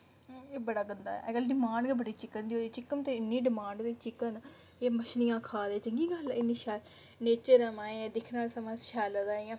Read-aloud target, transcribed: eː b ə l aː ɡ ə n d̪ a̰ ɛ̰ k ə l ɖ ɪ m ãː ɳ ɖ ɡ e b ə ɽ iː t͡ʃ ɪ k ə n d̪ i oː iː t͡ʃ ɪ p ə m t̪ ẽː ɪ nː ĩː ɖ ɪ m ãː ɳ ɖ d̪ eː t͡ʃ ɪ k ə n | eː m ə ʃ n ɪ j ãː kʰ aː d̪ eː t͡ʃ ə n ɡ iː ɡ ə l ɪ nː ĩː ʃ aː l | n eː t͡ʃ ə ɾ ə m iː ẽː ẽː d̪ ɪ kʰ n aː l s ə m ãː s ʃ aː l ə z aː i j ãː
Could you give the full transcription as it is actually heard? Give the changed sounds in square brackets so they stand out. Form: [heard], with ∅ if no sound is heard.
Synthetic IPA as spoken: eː b ə [ɽ] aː ɡ ə n d̪ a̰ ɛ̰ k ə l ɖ ɪ m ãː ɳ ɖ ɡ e b ə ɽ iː t͡ʃ ɪ k ə n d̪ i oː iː t͡ʃ ɪ [k] ə m t̪ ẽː ɪ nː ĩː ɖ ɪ m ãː ɳ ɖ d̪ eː t͡ʃ ɪ k ə n | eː m ə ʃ n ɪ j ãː kʰ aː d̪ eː t͡ʃ ə [ŋ] ɡ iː ɡ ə l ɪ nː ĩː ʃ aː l | n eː t͡ʃ ə ɾ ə m [aː] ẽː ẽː d̪ ɪ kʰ n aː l s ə m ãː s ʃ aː l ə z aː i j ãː